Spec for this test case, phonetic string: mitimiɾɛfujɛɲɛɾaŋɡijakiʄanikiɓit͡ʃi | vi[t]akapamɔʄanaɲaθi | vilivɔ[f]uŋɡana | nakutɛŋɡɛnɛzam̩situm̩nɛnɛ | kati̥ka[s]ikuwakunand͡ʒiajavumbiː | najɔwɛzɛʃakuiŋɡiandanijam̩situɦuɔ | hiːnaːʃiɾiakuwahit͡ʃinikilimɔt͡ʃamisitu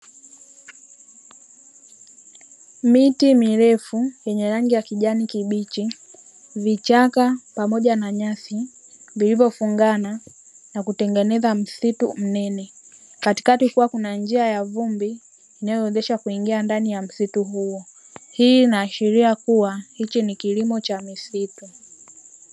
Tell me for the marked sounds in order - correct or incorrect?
incorrect, correct, incorrect

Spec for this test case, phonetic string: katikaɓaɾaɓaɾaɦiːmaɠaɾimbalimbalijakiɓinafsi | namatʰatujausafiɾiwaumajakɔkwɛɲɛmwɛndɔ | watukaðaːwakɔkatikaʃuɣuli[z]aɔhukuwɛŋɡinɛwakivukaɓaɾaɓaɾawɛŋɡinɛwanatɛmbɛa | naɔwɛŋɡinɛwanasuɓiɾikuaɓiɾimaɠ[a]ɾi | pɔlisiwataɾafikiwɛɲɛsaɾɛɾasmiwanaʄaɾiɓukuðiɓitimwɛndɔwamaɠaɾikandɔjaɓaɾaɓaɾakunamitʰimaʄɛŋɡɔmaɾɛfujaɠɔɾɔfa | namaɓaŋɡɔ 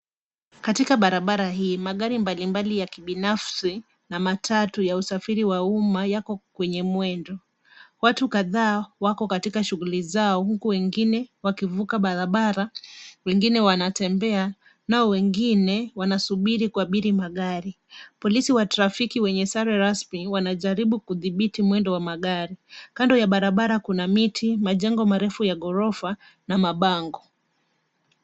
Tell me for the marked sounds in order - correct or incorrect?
correct, correct

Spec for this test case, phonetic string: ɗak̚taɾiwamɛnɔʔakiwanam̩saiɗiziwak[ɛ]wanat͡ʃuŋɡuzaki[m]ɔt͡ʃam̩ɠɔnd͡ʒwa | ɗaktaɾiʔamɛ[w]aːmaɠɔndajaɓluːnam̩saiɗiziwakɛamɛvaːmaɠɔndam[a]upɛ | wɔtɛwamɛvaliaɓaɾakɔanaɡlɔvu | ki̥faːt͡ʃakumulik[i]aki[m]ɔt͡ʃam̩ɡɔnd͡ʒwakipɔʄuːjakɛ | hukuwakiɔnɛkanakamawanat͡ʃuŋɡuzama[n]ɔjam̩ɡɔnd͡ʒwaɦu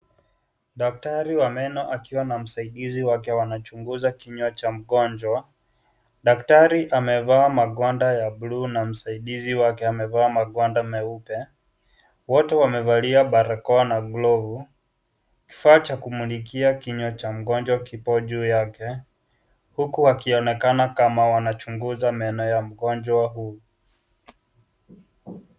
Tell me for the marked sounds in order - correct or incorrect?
correct, incorrect, incorrect, incorrect, correct, incorrect, correct

